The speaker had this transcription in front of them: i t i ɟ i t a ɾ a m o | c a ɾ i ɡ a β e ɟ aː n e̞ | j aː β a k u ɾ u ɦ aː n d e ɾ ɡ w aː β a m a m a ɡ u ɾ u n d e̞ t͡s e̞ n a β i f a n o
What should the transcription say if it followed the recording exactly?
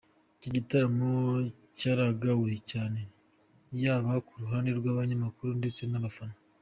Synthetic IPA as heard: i c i ɟ i t a ɾ a m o | c a ɾ a ɡ a w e c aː n e̞ | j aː β a k u ɾ u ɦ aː n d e ɾ ɡ w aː β a ɲ a m a k u ɾ u n d e̞ t͡s e̞ n a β a f a n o

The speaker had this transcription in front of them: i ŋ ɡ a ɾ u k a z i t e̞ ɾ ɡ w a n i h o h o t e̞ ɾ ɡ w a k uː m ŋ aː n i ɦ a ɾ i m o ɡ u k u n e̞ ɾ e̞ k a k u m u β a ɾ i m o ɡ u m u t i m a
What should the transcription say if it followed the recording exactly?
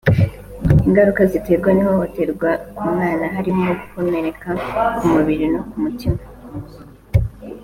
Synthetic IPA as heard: i ŋ ɡ a ɾ u k a z i t e̞ ɾ ɡ w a n i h o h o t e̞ ɾ ɡ w a k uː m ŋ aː n a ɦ a ɾ i m o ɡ u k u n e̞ ɾ e̞ k a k u m u β i ɾ i n o k u m u t i m a

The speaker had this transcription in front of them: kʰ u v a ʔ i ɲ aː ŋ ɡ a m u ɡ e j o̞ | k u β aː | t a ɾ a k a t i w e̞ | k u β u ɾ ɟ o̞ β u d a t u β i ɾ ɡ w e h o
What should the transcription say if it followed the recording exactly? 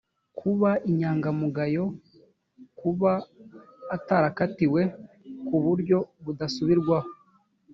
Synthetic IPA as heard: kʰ u β a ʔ i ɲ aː ŋ ɡ a m u ɡ a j o̞ | k u β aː | t a ɾ a k a t i w e̞ | k u β u ɾ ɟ o̞ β u d a s u β i ɾ ɡ w a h o

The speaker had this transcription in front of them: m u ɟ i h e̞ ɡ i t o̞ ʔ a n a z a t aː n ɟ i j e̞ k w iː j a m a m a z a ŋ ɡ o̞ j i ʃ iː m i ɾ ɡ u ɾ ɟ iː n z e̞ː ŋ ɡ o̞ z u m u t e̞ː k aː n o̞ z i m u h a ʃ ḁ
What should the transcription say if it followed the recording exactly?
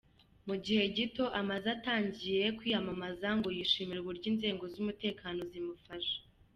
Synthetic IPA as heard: m u ɟ i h e̞ ɟ i t o̞ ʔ a m a z a t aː ɲ ɟ i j e̞ k w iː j a m a m a z a ŋ ɡ o̞ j i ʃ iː m i ɾ ɡ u ɾ ɟ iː n z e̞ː ŋ ɡ o̞ z u m u t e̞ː k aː n o̞ z i m u f a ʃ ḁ

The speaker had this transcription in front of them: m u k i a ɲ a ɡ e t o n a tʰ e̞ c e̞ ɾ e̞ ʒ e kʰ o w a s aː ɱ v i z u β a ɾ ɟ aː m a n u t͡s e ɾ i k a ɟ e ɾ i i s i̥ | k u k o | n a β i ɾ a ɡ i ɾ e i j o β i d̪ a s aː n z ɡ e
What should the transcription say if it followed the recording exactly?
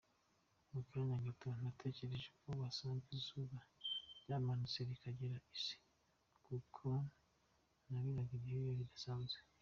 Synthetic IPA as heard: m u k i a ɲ a ɡ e t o n a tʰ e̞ c e̞ ɾ e̞ ʒ e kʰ o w a s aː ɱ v i z u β a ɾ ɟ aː m a n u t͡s e ɾ i k a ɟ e ɾ a i s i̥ | k u kʰ o | n a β i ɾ a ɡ i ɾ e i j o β i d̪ a s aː n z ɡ e

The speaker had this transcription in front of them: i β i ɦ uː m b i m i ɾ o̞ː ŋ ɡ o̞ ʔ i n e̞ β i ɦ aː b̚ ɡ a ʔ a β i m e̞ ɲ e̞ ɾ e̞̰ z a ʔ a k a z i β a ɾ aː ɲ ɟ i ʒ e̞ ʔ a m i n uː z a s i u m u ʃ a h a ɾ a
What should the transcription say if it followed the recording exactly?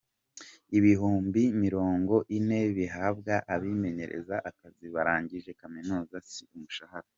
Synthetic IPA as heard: i β i ɦ uː m b i m i ɾ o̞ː ŋ ɡ o̞ ʔ i n e̞ β i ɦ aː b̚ ɡ a ʔ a β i m e̞ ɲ e̞ ɾ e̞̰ z a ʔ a k a z i β a ɾ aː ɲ ɟ i ʒ e̞ k a m i n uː z a s i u m u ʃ a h a ɾ a

